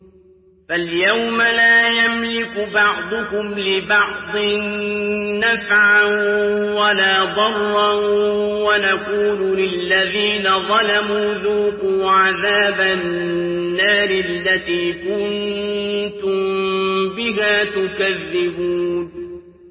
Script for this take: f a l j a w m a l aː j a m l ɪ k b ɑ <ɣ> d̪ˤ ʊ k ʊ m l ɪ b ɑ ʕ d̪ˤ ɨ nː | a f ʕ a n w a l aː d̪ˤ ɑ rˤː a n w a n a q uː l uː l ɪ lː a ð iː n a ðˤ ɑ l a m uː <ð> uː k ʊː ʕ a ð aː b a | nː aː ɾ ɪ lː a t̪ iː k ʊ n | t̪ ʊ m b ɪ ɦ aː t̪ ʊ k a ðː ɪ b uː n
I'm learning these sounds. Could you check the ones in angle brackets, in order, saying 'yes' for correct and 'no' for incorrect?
no, yes

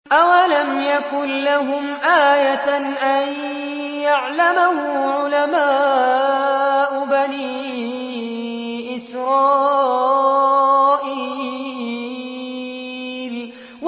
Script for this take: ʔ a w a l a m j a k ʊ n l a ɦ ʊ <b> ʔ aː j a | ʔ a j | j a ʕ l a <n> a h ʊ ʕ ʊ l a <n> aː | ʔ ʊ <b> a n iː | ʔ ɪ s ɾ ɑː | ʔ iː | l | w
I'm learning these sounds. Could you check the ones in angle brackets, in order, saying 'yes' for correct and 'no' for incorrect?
no, no, no, yes

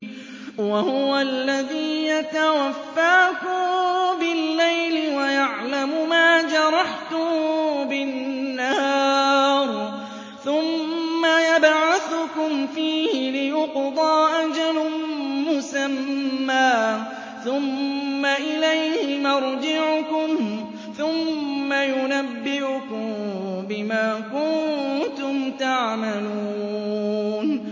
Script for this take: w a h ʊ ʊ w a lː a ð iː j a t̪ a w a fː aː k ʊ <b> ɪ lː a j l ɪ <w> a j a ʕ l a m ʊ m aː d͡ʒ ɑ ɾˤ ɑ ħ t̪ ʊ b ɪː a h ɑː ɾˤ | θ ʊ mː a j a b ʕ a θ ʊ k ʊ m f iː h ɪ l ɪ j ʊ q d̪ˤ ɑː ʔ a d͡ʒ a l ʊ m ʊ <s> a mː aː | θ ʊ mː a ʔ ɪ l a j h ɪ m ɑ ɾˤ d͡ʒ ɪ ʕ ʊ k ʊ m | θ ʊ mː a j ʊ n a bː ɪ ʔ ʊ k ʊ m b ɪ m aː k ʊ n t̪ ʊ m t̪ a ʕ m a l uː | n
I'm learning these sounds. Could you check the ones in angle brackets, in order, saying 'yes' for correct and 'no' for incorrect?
yes, yes, yes

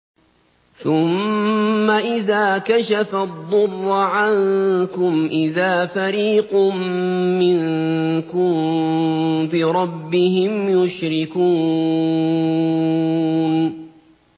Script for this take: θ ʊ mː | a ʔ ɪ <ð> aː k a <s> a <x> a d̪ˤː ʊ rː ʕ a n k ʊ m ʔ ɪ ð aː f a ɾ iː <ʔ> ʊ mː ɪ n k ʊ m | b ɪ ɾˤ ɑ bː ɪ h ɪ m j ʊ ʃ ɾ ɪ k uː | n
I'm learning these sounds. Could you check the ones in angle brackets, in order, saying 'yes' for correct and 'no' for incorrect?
yes, no, no, no

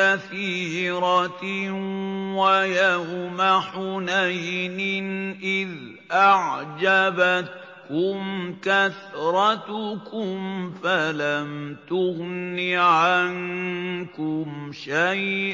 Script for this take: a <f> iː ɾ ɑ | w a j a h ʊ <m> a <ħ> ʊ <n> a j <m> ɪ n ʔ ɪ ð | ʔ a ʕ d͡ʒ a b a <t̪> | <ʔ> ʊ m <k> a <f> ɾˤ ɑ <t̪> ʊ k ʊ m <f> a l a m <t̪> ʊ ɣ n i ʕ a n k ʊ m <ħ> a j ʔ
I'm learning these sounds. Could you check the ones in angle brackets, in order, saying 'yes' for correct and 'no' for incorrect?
no, yes, yes, yes, no, yes, no, yes, no, yes, yes, yes, no

